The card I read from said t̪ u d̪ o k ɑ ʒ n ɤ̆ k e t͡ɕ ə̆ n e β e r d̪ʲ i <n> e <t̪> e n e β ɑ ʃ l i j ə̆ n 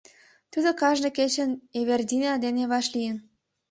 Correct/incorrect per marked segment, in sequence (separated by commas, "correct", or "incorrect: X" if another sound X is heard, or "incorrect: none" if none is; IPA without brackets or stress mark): correct, incorrect: d̪